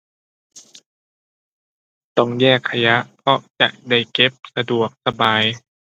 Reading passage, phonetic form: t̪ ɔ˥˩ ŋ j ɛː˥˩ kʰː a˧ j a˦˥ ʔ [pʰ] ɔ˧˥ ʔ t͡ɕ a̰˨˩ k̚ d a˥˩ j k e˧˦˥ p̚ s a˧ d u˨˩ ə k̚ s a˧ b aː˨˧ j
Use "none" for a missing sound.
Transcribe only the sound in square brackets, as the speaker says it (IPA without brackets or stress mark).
pʰ